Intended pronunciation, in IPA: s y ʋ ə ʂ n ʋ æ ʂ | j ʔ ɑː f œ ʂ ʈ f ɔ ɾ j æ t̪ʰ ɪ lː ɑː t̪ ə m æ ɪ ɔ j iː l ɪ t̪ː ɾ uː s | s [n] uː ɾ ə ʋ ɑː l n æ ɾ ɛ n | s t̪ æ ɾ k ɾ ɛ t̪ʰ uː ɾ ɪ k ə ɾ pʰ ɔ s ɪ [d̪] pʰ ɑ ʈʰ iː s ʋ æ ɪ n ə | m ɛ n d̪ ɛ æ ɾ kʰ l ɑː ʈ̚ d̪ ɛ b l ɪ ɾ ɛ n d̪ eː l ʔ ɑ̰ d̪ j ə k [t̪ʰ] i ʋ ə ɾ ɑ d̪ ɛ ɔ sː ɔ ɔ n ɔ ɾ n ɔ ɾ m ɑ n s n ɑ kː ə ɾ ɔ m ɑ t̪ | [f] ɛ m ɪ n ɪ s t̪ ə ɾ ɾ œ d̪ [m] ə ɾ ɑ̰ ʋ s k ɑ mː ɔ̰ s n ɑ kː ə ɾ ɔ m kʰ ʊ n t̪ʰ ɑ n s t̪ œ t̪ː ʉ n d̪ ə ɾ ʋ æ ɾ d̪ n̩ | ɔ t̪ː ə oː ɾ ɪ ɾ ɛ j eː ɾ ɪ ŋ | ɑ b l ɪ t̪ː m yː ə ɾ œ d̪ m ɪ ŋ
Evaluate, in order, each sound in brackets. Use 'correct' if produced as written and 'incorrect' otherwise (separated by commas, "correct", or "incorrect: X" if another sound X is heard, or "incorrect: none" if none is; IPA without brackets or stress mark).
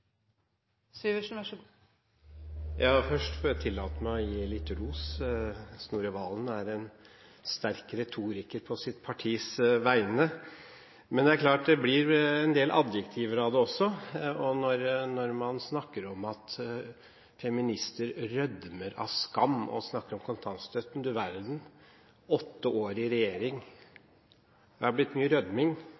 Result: correct, incorrect: t̪, correct, correct, correct